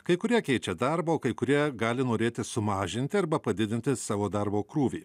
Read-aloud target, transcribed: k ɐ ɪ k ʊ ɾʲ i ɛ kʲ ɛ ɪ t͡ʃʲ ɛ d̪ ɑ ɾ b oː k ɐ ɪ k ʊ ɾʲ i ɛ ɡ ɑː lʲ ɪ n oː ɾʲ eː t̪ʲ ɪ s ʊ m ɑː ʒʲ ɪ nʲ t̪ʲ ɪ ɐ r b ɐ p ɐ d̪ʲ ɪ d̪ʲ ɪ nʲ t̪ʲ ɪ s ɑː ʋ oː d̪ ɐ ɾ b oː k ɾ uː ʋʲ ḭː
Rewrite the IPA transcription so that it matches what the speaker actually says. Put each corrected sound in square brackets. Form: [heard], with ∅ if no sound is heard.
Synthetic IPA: k ɐ ɪ k ʊ ɾʲ i ɛ kʲ ɛ ɪ t͡ʃʲ ɛ d̪ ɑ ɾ b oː k ɐ ɪ k ʊ ɾʲ i ɛ ɡ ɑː lʲ ɪ n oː ɾʲ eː t̪ʲ ɪ s ʊ m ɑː ʒʲ ɪ nʲ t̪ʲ ɪ ɐ [ɾ] b ɐ p ɐ d̪ʲ ɪ d̪ʲ ɪ nʲ t̪ʲ ɪ s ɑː ʋ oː d̪ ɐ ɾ b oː k ɾ uː ʋʲ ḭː

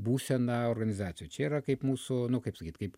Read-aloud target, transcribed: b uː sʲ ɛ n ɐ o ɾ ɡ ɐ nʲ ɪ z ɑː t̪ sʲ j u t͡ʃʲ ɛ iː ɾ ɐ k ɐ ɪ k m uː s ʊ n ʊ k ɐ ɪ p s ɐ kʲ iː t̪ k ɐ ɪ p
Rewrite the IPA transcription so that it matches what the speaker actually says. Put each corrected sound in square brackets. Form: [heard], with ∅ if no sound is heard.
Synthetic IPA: b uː sʲ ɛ n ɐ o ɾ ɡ ɐ nʲ ɪ z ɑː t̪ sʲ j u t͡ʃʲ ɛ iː ɾ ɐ k ɐ ɪ [p] m uː s ʊ n ʊ k ɐ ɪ p s ɐ kʲ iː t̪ k ɐ ɪ p

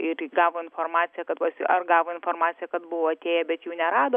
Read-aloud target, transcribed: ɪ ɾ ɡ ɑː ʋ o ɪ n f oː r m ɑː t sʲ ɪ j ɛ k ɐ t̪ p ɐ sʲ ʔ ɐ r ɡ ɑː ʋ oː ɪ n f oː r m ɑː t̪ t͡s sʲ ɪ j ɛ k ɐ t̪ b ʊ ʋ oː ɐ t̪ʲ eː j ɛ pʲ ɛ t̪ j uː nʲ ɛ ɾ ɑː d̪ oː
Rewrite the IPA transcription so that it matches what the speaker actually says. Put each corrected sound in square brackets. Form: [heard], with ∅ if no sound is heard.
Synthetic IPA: ɪ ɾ ɡ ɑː ʋ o ɪ n f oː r m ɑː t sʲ ɪ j ɛ k ɐ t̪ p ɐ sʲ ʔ ɐ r ɡ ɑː ʋ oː ɪ n f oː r m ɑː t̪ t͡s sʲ ɪ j ɛ k ɐ t̪ b ʊ ʋ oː ɐ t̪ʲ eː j ɛ [bʲ] ɛ t̪ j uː nʲ ɛ ɾ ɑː d̪ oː

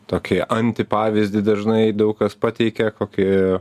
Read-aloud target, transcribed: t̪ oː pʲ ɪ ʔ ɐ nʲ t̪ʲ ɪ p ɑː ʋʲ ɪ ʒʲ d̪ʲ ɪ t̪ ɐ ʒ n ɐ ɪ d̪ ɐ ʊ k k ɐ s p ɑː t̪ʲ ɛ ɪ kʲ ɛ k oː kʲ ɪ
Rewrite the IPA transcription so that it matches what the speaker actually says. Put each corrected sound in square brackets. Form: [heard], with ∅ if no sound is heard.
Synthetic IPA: t̪ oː [kʲ] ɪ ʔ ɐ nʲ t̪ʲ ɪ p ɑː ʋʲ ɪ [zʲ] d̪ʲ ɪ [d̪] ɐ ʒ n ɐ ɪ d̪ ɐ ʊ k k ɐ s p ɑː t̪ʲ ɛ ɪ kʲ ɛ k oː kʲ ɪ

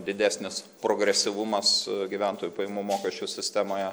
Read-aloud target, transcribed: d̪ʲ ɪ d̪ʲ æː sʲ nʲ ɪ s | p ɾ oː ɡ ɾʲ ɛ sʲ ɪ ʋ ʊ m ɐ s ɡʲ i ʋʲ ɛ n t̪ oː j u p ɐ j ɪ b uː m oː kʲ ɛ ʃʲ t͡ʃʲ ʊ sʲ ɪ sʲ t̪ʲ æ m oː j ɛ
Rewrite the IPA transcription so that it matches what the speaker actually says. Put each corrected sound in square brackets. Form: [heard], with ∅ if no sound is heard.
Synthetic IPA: d̪ʲ ɪ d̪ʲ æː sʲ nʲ ɪ s | p ɾ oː ɡ ɾʲ ɛ sʲ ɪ ʋ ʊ m ɐ s ɡʲ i ʋʲ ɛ n t̪ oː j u p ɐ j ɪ [m] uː m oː kʲ ɛ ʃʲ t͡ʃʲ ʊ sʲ ɪ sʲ t̪ʲ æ m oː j ɛ

